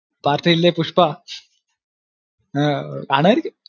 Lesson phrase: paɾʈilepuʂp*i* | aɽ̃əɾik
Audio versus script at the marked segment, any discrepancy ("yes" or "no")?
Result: yes